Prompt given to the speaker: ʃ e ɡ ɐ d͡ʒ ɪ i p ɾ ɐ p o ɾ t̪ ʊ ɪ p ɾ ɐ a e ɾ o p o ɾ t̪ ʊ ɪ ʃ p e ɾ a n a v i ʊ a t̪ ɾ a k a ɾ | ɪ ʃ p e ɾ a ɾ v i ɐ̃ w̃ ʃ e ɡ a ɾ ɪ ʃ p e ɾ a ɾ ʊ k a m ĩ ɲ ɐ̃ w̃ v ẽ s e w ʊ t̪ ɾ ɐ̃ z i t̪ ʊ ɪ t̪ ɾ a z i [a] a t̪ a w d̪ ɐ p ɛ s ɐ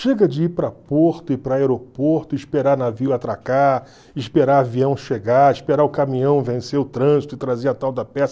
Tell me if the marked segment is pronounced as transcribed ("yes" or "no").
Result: no